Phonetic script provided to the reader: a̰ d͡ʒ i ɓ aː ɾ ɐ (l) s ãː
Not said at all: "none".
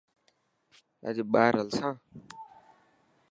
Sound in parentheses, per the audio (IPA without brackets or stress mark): l